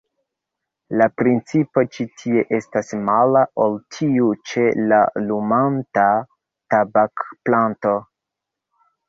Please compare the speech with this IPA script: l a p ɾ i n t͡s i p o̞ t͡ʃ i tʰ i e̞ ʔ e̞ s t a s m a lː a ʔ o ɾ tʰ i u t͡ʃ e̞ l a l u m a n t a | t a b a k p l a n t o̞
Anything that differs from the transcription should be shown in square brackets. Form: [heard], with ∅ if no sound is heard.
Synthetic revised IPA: l a p ɾ i n t͡s i p o̞ t͡ʃ i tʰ i e̞ ʔ e̞ s t a s m a [l] a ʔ o [l] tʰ i u t͡ʃ e̞ l a l u m a n t a | t a b a k p l a n t o̞